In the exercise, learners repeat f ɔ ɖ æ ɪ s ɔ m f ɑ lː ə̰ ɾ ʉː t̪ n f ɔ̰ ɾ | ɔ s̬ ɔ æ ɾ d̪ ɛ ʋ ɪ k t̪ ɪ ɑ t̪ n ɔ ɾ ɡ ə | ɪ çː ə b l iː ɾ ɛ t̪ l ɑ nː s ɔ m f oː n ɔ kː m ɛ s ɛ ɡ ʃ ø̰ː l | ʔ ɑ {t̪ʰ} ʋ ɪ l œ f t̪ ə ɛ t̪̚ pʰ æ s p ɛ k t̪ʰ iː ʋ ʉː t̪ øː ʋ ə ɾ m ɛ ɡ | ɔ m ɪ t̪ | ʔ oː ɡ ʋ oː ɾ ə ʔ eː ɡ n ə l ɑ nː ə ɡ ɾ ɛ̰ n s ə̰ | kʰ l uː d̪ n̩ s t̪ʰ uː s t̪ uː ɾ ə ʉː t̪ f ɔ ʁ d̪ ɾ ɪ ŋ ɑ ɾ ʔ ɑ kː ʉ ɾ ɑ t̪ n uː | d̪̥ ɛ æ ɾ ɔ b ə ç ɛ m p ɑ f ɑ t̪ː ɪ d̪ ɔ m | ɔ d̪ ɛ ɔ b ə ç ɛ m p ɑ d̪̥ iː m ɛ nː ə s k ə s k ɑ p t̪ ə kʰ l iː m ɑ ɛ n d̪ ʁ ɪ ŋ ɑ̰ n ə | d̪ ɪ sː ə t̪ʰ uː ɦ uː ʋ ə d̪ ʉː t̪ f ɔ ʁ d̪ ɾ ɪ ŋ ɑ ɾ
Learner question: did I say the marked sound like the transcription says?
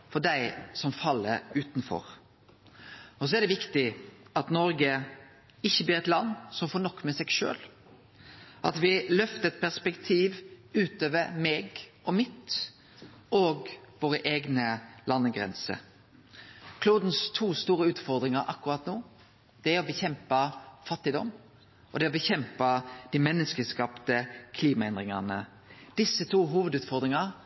no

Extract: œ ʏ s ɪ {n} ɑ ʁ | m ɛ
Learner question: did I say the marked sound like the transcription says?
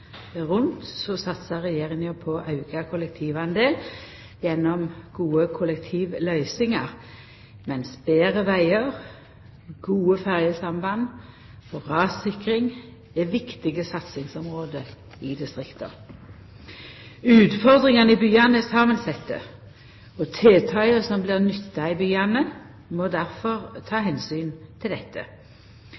no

